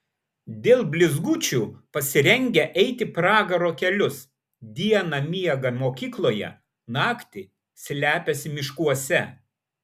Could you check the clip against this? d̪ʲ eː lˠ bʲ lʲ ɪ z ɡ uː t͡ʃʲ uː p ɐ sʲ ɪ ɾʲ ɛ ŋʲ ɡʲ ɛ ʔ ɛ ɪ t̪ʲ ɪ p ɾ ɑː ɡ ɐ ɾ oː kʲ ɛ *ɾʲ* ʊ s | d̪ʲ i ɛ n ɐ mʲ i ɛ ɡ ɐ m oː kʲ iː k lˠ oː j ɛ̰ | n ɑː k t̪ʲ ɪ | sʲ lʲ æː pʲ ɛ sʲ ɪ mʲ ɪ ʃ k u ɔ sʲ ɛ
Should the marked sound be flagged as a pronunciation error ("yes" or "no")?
yes